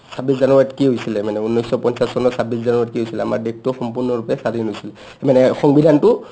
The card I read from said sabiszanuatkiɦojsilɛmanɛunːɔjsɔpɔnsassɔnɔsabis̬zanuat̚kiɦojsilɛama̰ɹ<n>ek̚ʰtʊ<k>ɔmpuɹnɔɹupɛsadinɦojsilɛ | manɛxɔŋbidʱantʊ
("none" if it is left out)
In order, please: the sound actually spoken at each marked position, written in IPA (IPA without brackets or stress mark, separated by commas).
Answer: d, x